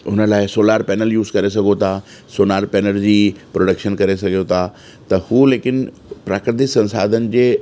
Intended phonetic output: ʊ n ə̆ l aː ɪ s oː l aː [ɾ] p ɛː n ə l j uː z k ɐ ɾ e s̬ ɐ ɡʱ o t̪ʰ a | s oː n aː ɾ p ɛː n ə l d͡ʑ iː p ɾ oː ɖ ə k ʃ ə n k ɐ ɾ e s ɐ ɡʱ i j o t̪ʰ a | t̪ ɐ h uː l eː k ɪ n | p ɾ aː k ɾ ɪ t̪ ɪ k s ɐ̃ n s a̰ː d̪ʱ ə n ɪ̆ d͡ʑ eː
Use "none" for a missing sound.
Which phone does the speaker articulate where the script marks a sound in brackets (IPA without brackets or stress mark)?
ɾ